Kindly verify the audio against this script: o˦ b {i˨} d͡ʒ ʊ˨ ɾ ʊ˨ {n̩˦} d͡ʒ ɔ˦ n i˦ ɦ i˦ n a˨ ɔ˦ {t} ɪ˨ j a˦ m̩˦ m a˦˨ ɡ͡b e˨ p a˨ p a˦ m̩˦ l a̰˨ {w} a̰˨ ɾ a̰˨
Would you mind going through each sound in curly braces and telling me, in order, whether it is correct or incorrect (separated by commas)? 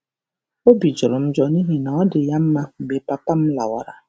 correct, incorrect, incorrect, correct